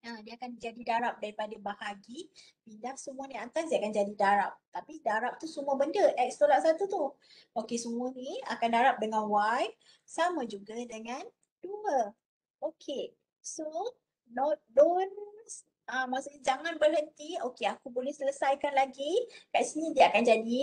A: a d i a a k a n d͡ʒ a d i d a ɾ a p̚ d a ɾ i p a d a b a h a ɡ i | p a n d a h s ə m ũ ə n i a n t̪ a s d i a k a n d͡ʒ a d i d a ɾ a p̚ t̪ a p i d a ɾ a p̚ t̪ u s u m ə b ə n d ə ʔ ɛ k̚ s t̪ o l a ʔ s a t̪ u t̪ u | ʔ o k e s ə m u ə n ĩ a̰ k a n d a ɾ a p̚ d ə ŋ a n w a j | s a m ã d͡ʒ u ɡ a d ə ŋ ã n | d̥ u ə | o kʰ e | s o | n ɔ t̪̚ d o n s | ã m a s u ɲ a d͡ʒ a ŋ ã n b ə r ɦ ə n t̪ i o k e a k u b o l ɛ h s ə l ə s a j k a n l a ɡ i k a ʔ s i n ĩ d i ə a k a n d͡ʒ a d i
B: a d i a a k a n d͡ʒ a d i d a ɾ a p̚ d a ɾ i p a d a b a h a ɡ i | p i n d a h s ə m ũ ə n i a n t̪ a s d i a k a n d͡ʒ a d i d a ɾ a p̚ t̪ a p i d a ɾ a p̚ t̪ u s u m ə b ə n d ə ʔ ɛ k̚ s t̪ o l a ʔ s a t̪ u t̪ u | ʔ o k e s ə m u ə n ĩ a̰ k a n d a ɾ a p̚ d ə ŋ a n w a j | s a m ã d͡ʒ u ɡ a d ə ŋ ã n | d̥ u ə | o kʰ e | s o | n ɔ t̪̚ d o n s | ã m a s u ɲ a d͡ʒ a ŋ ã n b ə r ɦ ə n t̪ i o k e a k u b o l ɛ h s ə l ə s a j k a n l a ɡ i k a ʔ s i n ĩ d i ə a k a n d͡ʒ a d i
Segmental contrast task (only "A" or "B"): B